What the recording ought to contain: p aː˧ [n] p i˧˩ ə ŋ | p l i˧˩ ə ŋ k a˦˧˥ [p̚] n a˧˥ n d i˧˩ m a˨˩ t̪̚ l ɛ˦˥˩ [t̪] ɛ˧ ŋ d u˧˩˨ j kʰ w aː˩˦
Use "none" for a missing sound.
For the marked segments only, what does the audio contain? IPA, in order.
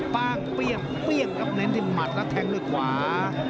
ŋ, p̚, t̪ʰ

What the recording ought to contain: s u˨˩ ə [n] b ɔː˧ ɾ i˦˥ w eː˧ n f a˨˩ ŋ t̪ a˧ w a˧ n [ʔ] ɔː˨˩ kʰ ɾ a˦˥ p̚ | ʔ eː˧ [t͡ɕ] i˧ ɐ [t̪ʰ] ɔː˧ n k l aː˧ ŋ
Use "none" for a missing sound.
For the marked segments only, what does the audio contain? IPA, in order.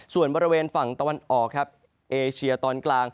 n, ʔ, t͡ɕʰ, t̪

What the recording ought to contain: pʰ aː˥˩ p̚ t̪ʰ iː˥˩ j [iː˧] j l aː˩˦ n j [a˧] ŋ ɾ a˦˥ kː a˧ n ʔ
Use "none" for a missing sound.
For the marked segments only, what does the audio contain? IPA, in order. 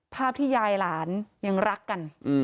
aː˧, a˧

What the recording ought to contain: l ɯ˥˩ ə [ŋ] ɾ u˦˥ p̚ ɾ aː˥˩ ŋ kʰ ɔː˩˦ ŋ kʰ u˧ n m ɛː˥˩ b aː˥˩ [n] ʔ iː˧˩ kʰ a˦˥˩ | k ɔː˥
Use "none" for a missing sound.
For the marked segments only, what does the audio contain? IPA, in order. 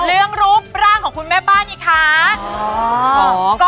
ŋ, n

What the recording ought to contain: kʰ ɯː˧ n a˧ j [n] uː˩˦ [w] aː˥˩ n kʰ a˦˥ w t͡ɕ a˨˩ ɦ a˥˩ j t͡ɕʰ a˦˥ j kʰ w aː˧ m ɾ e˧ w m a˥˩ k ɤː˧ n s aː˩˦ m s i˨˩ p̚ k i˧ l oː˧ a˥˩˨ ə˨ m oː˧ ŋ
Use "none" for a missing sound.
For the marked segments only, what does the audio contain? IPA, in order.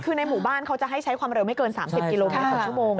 m, b

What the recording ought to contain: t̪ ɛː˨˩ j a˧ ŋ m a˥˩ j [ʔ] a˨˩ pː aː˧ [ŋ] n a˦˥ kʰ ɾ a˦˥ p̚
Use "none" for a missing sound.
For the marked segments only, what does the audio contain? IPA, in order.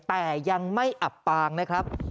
ʔ, ŋ

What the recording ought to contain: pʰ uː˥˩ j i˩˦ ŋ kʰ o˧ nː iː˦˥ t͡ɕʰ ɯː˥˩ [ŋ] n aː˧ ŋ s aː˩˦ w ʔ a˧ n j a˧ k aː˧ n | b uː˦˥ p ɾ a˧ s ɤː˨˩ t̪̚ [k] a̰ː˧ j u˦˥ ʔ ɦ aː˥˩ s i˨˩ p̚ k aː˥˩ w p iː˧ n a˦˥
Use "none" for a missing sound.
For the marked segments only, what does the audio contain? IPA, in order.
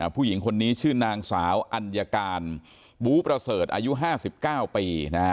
none, ʔ

